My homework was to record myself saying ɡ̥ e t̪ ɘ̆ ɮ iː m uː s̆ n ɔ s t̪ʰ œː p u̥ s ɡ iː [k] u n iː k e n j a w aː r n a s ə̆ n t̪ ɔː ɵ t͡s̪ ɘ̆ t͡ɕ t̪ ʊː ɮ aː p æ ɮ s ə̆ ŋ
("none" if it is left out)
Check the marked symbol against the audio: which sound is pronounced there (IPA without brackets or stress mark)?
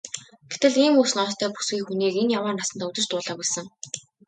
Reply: x